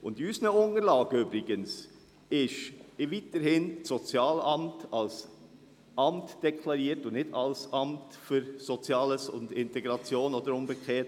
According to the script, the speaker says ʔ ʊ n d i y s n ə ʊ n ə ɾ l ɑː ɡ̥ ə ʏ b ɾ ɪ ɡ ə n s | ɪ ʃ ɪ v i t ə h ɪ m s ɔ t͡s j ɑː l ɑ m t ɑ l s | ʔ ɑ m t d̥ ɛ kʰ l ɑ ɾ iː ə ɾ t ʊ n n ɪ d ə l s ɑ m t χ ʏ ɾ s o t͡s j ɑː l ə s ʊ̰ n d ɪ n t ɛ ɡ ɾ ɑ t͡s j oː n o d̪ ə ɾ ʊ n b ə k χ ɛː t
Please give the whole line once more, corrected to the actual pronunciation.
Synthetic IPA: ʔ ʊ n d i y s n ə ʊ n ə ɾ l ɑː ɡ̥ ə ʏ b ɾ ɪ ɡ ə n s | ɪ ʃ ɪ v i t ə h ɪ n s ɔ t͡s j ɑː l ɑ m t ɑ l s | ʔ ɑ m t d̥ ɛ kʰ l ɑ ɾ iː ə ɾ t ʊ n n ɪ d ɑ l s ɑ m t f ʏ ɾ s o t͡s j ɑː l ə s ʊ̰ n d ɪ n t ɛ ɡ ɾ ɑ t͡s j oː n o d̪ ə ɾ ʊ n b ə k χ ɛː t